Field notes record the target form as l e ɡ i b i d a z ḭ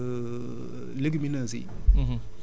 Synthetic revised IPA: l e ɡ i m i n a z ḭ